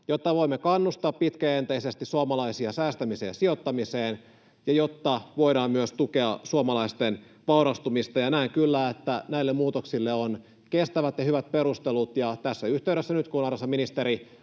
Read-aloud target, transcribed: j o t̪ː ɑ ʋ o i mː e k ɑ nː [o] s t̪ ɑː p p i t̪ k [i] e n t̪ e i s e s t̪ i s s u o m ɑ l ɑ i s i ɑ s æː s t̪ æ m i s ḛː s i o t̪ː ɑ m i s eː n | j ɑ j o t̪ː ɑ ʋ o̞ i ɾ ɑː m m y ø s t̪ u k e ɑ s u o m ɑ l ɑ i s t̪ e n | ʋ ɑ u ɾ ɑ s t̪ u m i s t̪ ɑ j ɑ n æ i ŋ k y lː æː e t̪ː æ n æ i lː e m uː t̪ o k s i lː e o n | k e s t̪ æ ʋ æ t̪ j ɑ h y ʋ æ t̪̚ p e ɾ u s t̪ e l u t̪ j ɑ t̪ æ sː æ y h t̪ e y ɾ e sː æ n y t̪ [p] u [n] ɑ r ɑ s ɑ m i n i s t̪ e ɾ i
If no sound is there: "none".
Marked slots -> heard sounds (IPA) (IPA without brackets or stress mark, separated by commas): u, æ, k, n